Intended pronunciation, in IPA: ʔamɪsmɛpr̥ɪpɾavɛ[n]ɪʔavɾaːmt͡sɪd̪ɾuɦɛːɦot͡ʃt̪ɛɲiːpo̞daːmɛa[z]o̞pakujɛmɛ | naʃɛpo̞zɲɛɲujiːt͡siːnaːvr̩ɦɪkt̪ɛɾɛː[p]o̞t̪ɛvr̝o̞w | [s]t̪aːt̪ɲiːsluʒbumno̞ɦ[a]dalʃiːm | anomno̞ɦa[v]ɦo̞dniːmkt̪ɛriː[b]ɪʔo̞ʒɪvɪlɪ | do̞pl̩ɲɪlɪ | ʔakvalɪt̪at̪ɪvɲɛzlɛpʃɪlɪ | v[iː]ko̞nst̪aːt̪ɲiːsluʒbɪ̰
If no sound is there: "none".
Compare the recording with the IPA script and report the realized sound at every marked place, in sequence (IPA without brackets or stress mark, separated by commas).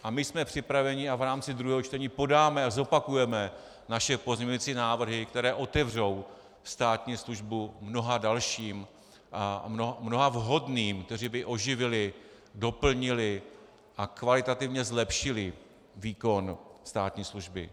ɲ, z, ʔ, s, a, v, b, iː